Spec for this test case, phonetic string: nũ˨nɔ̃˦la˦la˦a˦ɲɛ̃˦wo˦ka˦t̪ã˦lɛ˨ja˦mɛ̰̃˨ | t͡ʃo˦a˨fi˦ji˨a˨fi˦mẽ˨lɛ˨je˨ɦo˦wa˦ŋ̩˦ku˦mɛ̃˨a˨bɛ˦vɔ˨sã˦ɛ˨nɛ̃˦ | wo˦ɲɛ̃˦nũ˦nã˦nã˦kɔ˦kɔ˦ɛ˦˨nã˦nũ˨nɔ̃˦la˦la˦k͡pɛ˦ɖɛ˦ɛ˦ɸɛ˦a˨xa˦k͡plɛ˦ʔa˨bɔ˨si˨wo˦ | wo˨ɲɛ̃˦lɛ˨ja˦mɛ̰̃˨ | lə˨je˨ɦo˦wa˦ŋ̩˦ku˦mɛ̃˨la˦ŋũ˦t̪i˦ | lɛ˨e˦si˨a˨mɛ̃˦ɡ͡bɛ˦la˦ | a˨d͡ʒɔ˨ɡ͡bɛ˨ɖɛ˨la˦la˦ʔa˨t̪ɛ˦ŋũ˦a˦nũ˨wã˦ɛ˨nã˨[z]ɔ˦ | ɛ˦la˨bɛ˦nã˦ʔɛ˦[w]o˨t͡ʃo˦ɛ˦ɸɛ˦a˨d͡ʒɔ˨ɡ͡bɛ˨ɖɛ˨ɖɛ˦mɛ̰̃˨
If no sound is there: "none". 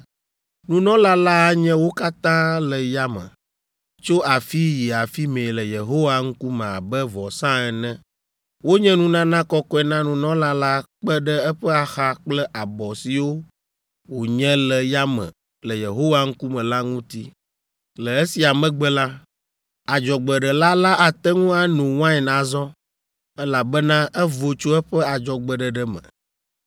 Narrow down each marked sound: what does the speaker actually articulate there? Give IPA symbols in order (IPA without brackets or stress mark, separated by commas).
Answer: z, v